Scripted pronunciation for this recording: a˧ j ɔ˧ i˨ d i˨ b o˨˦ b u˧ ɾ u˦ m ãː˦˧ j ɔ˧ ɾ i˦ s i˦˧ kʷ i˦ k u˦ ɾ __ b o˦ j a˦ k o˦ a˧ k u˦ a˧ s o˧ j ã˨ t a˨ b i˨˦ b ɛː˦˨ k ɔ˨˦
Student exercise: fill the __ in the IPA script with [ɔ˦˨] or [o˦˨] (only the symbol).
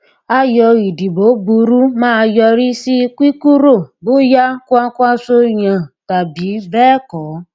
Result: o˦˨